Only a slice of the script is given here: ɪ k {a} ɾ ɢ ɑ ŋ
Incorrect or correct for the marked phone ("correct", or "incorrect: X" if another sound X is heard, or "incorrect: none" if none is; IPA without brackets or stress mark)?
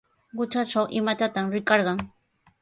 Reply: incorrect: ɑ